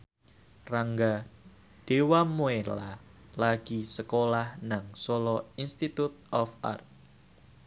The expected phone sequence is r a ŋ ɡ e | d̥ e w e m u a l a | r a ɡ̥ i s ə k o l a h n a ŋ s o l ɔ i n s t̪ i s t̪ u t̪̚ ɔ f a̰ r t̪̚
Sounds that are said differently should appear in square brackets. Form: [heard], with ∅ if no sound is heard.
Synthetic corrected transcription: r a ŋ ɡ [a] | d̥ e w [a] m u [e] l a | [l] a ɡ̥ i s ə k o l a h n a ŋ s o l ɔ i n s t̪ i [∅] t̪ u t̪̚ ɔ f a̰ r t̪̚

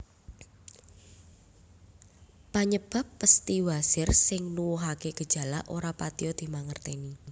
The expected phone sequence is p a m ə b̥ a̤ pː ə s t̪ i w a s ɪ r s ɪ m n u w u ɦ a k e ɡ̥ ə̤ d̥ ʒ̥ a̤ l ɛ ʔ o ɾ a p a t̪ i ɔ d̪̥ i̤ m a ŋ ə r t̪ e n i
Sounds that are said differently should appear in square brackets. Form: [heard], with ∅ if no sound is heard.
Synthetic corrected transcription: p a [ɲ] ə b̥ a̤ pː ə s t̪ i w a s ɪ r s ɪ [ŋ] n u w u ɦ a k e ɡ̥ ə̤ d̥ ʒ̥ a̤ l [a] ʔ o ɾ a p a t̪ i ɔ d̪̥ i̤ m a ŋ ə r t̪ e n i

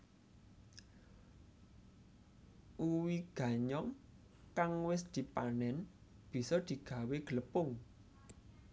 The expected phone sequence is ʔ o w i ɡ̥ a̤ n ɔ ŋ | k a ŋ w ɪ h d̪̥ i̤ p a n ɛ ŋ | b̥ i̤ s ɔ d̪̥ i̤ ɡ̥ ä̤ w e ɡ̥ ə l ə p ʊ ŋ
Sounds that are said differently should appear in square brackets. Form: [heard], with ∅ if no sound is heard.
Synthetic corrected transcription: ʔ [u] w i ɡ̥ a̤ [ɲ] ɔ ŋ | k a ŋ w ɪ [s] d̪̥ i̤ p a n ɛ [n] | b̥ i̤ s ɔ d̪̥ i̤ ɡ̥ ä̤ w e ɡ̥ ə l ə p ʊ ŋ

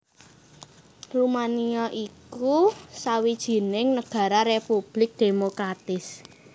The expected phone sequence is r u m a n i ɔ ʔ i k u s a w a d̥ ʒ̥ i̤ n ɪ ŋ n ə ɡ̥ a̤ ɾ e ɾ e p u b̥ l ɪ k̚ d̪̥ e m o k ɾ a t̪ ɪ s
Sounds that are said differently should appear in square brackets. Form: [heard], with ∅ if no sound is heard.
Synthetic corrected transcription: r u m a n i ɔ ʔ i k u s a w [i] d̥ ʒ̥ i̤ n ɪ ŋ n ə ɡ̥ a̤ ɾ [a] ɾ e p u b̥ l ɪ k̚ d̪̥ e m o k ɾ a t̪ ɪ s

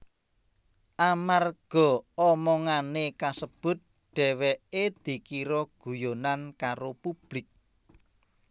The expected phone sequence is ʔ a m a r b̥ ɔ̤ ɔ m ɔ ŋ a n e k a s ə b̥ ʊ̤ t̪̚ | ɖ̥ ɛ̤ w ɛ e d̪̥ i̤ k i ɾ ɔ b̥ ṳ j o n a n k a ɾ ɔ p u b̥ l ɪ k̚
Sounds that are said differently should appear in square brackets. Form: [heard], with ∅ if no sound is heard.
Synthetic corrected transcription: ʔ a m a r [ɡ̥] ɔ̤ ɔ m ɔ ŋ a n e k a s ə b̥ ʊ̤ t̪̚ | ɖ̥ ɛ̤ w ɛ e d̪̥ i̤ k i ɾ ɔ [ɡ̥] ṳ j o n a n k a ɾ [o] p u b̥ l ɪ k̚

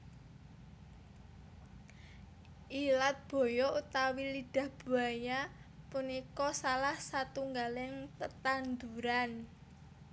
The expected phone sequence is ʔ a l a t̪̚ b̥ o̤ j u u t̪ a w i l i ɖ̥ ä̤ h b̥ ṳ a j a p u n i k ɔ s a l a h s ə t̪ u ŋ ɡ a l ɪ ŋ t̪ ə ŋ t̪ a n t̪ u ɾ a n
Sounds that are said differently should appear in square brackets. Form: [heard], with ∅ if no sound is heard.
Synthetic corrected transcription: ʔ [i] l a t̪̚ b̥ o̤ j [ɔ] u t̪ a w i l i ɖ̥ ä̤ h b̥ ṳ a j a p u n i k ɔ s a l a h s [a] t̪ u ŋ ɡ a l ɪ ŋ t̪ ə [∅] t̪ a n [d̪] u ɾ a n

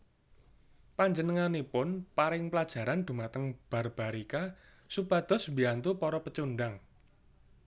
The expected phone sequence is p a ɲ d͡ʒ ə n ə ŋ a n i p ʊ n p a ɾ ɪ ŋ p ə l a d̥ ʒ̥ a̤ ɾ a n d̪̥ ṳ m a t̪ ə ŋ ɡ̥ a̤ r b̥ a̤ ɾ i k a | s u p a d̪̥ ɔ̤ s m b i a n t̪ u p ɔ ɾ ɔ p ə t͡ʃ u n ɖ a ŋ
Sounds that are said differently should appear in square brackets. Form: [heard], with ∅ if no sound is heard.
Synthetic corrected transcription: p a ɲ d͡ʒ ə n ə ŋ a n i p ʊ n p a ɾ ɪ ŋ p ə l a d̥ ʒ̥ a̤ ɾ a n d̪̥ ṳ m a t̪ ə ŋ [b̥] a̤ r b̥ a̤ ɾ i k a | s u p a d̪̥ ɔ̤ s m b i a n t̪ u p ɔ ɾ ɔ p ə t͡ʃ u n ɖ a ŋ

